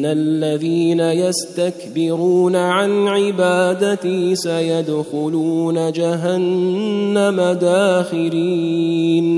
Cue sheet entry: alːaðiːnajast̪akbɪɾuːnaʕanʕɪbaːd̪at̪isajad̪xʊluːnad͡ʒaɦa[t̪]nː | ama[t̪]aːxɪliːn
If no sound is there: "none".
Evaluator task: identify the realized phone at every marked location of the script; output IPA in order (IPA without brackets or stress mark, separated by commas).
none, d̪